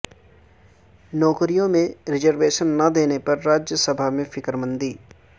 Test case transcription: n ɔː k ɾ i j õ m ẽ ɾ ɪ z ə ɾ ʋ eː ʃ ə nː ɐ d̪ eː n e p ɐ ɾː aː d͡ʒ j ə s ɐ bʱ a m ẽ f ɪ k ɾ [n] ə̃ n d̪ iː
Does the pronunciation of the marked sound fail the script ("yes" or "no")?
yes